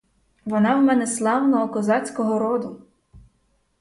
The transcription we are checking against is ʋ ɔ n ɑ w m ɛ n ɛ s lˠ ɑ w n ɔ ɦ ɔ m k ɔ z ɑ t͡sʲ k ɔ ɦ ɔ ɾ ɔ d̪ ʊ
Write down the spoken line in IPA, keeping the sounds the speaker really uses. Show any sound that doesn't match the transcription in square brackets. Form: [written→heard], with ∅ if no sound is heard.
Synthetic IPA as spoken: ʋ ɔ n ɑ w m ɛ n ɛ s lˠ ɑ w n ɔ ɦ ɔ [m→∅] k ɔ z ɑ t͡sʲ k ɔ ɦ ɔ ɾ ɔ d̪ ʊ